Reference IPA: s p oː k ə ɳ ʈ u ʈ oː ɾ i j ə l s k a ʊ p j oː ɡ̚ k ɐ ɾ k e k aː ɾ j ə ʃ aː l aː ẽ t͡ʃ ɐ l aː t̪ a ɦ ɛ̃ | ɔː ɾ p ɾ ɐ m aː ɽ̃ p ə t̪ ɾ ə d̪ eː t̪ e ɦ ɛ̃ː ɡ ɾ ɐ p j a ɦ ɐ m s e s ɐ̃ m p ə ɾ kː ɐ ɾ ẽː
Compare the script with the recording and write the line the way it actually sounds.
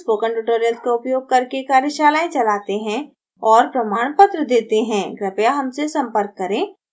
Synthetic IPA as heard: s p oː k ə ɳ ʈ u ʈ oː ɾ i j ə l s k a ʊ p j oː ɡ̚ k ɐ ɾ k e k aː ɾ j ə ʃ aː l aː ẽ t͡ʃ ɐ l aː t̪ e ɦ ɛ̃ | ɔː ɾ p ɾ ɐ m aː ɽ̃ p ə t̪ ɾ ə d̪ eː t̪ e ɦ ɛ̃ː ɡ ɾ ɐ p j a ɦ ɐ m s e s ɐ̃ m p ə ɾ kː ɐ ɾ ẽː